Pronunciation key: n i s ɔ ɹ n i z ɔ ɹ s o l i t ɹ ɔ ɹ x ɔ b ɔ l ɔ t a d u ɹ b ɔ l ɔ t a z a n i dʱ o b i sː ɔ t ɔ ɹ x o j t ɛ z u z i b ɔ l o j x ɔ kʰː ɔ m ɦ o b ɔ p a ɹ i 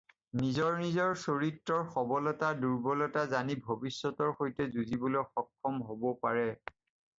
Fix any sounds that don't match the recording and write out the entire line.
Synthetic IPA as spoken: n i z ɔ ɹ n i z ɔ ɹ s o ɹ i t ɹ ɔ ɹ x ɔ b ɔ l ɔ t a d u ɹ b ɔ l ɔ t a z a n i bʱ o b i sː ɔ t ɔ ɹ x o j t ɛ z u z i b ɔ l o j x ɔ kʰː ɔ m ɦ o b ɔ p a ɹ ɛ